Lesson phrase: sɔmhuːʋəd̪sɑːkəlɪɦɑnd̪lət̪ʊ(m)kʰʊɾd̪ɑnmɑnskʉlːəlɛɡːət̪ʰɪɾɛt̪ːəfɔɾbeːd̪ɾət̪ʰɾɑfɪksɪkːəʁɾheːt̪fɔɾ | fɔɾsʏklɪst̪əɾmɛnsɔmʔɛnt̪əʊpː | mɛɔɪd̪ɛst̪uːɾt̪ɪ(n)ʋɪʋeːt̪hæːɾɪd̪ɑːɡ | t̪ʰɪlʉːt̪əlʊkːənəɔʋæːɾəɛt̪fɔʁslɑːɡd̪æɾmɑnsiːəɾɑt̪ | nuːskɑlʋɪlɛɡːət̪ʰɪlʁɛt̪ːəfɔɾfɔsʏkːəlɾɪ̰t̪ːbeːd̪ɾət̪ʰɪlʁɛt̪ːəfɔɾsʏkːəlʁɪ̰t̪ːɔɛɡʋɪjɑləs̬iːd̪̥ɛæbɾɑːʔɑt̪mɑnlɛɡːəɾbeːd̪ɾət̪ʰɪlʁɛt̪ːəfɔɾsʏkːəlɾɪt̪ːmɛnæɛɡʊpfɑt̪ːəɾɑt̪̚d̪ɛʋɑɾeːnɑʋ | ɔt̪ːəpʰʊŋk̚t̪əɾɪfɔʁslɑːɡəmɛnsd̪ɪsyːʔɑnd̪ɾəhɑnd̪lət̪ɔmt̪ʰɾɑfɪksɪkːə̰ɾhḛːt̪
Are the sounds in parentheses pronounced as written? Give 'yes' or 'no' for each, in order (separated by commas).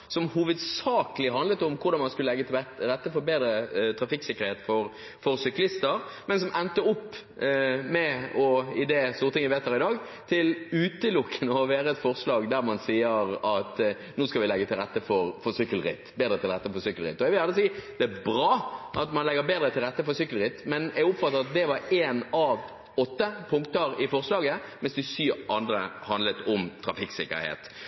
yes, no